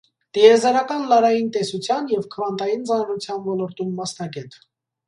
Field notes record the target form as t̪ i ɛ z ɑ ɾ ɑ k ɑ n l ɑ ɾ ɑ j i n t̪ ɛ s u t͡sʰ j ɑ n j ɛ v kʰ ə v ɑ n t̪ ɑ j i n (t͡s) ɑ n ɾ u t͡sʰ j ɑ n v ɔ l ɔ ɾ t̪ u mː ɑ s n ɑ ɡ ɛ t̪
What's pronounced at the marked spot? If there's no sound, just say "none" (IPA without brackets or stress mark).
t͡s